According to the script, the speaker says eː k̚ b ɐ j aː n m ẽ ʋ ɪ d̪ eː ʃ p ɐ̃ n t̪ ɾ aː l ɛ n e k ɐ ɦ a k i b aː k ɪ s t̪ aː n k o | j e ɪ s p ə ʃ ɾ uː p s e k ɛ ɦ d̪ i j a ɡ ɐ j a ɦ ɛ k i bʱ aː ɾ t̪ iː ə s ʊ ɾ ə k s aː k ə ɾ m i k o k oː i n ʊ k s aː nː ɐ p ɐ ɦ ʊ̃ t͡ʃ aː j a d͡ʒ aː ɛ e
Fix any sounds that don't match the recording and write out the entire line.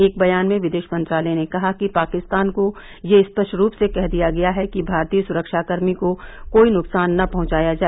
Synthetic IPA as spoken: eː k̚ b ɐ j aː n m ẽ ʋ ɪ d̪ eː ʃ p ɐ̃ n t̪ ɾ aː l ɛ n e k ɐ ɦ a k i p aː k ɪ s t̪ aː n k o | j e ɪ s p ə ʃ ɾ uː p s e k ɛ ɦ d̪ i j a ɡ ɐ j a ɦ ɛ k i bʱ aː ɾ t̪ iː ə s ʊ ɾ ə k ʃ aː k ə ɾ m i k o k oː i n ʊ k s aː nː ɐ p ɐ ɦ ʊ̃ t͡ʃ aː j a d͡ʒ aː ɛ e